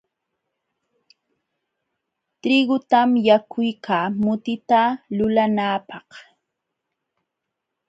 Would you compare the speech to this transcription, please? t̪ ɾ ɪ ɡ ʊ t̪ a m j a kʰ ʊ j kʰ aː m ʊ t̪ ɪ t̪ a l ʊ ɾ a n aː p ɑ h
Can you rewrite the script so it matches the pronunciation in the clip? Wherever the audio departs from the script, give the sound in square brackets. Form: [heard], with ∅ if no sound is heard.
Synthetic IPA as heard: t̪ ɾ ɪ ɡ ʊ t̪ a m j a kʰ ʊ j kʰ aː m ʊ t̪ ɪ t̪ a l ʊ [l] a n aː p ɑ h